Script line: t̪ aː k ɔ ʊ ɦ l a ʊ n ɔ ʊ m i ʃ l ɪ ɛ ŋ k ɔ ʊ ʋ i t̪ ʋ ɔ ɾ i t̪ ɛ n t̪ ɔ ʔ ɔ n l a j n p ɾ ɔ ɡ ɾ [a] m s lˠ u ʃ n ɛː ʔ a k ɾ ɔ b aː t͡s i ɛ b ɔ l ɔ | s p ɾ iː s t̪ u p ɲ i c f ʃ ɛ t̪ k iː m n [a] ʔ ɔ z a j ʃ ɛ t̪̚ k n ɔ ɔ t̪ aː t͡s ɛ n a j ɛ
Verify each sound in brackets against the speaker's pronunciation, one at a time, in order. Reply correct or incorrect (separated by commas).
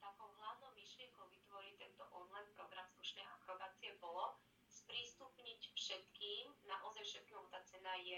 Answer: correct, correct